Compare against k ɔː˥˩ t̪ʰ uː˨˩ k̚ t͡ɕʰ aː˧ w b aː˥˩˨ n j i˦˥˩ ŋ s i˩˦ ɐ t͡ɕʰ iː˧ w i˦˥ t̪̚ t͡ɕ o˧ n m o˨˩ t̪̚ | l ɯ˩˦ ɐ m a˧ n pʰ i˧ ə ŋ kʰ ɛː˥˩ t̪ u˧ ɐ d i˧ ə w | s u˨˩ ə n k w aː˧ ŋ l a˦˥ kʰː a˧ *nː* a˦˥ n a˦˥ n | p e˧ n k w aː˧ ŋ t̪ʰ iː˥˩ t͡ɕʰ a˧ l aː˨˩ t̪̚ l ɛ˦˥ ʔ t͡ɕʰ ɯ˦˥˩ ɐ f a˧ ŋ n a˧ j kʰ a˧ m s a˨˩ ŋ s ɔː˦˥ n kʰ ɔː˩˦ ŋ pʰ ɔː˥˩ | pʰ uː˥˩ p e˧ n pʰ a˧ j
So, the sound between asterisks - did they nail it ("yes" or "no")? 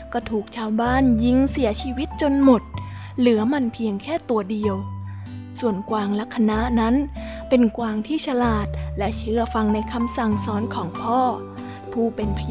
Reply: no